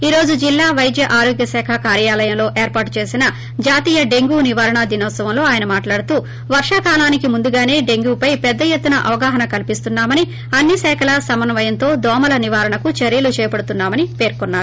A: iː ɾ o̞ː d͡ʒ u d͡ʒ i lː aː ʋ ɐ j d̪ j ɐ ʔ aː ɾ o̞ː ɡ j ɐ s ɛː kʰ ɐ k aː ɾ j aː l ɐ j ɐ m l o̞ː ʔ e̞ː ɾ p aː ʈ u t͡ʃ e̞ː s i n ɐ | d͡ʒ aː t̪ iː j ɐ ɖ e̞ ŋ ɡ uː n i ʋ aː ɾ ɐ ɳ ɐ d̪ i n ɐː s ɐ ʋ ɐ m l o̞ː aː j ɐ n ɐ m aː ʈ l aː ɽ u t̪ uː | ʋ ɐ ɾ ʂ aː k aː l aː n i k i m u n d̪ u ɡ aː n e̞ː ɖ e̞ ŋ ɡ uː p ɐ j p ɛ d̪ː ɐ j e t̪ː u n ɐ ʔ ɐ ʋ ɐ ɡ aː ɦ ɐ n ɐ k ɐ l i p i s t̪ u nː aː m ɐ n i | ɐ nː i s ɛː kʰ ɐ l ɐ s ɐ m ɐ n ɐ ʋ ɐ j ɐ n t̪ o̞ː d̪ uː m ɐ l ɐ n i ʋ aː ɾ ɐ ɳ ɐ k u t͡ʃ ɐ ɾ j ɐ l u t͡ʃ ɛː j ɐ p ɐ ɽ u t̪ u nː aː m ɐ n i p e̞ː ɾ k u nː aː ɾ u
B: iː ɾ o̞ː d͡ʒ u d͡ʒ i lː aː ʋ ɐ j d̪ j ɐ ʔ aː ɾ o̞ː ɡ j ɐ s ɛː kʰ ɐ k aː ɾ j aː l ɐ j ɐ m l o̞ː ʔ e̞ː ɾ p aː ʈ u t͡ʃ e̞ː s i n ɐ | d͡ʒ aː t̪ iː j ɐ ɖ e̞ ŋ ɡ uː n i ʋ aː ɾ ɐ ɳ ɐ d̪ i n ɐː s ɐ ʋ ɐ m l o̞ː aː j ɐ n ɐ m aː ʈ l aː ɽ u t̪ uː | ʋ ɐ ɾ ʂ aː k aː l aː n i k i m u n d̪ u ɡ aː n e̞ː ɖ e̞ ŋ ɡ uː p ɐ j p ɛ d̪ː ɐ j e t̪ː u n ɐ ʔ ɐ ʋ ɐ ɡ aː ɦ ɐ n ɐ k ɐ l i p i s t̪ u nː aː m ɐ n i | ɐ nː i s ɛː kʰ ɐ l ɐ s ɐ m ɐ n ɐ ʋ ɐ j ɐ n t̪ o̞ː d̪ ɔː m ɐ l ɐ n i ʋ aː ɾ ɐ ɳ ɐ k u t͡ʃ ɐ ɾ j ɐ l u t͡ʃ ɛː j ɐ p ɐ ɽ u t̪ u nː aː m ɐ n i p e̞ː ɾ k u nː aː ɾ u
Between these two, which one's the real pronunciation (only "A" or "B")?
B